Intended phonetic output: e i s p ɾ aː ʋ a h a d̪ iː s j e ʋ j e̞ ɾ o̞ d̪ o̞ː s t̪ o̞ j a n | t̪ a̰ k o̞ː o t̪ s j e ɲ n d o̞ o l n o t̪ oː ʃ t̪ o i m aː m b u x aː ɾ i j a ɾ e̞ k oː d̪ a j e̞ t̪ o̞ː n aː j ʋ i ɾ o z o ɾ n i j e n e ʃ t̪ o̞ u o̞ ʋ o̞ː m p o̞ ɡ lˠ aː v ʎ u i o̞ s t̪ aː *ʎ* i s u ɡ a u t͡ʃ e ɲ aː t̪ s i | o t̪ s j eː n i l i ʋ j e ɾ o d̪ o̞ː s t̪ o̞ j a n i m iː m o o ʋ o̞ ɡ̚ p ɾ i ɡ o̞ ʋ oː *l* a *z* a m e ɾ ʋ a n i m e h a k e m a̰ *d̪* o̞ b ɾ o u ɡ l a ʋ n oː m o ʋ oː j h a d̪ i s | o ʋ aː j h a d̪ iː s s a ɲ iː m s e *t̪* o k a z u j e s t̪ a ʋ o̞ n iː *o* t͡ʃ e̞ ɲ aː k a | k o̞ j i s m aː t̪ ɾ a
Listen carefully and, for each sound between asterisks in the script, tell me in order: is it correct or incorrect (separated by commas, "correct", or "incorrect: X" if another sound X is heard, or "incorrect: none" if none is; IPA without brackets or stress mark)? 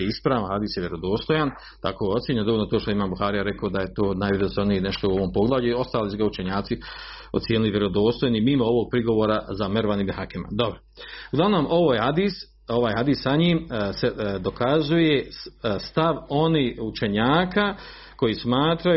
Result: incorrect: l, incorrect: ɾ, correct, correct, incorrect: d̪, incorrect: u